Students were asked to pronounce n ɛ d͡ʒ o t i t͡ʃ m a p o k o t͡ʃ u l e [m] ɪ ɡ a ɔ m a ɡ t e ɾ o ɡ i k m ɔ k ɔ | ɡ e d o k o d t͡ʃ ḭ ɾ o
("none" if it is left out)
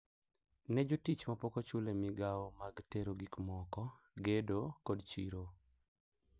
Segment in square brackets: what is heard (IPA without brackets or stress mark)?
m